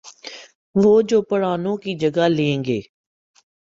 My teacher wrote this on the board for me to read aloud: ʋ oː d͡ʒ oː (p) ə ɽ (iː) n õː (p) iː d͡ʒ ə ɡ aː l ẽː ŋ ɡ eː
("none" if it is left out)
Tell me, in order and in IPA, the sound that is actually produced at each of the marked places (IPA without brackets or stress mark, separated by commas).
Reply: p, aː, k